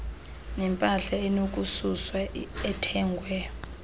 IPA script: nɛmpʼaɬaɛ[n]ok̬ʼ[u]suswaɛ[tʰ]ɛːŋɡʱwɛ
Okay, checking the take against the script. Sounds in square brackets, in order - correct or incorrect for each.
correct, correct, correct

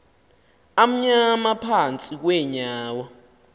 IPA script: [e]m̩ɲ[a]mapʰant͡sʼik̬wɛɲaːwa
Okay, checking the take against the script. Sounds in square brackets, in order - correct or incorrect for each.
incorrect: a, correct

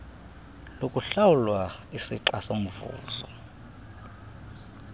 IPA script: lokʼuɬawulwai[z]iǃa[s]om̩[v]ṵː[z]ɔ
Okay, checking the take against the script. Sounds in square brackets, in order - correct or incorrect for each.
incorrect: s, correct, correct, correct

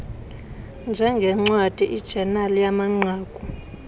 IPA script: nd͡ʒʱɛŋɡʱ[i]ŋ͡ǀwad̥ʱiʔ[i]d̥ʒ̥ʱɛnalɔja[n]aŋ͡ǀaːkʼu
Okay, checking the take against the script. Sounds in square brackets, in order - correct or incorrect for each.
incorrect: ɛ, correct, incorrect: m

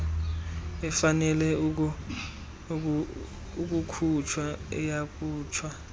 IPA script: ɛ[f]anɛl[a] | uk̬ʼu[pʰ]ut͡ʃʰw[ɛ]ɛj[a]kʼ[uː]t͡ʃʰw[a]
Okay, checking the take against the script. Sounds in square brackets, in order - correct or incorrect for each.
correct, incorrect: ɛ, incorrect: kʰ, incorrect: a, correct, correct, correct

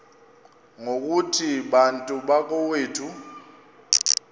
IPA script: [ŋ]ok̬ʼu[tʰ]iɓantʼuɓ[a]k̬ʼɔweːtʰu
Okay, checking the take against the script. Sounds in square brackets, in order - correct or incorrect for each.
correct, correct, correct

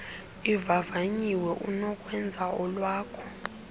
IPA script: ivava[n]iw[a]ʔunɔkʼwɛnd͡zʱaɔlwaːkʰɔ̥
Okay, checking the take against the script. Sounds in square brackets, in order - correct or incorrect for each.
incorrect: ɲ, incorrect: ɛ

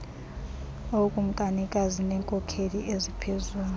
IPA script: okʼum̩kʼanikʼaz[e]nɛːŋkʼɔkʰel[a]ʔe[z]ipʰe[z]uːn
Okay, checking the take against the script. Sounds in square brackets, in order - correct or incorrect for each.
incorrect: i, incorrect: i, correct, correct

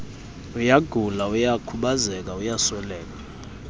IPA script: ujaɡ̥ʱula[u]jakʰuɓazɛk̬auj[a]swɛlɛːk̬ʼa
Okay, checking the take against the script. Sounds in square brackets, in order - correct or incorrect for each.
correct, correct

